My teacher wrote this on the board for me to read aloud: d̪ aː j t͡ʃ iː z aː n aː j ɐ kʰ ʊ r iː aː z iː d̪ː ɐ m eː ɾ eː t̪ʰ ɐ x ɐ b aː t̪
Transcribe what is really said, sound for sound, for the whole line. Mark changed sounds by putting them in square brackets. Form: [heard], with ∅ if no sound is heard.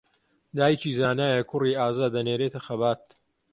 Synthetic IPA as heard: d̪ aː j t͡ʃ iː z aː n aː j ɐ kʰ ʊ r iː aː z [aː] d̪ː ɐ [n] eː ɾ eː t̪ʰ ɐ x ɐ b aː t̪

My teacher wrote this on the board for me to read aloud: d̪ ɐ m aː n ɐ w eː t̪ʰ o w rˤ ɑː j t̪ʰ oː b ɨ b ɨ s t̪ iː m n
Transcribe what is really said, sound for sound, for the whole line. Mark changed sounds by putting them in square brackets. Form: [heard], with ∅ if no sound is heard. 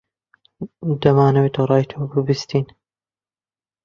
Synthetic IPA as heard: d̪ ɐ m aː n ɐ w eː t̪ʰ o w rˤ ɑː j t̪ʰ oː b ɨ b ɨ s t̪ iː [∅] n

